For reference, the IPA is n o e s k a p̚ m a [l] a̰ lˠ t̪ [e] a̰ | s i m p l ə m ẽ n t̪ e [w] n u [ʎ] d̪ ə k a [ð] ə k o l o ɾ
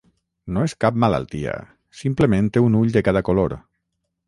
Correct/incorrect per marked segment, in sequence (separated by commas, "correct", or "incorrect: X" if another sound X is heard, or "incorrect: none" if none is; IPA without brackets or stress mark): correct, incorrect: i, incorrect: u, correct, correct